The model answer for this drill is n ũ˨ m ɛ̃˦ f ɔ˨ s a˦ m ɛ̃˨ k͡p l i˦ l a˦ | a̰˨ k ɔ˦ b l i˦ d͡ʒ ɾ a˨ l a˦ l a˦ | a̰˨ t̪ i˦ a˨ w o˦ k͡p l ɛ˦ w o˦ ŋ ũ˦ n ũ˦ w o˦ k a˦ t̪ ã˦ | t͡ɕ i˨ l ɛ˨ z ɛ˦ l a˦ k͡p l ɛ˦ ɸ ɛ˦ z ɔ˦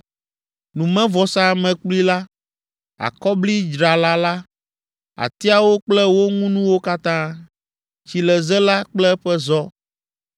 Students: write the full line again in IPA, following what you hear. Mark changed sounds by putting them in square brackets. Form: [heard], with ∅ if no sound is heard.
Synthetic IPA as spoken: n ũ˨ m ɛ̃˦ [v] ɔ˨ s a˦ m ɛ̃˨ k͡p l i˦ l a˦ | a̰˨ k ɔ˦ b l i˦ d͡ʒ ɾ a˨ l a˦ l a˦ | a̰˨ t̪ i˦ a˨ w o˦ k͡p l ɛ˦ w o˦ ŋ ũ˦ n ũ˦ w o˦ k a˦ t̪ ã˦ | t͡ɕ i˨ l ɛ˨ z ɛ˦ l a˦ k͡p l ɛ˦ ɸ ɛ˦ z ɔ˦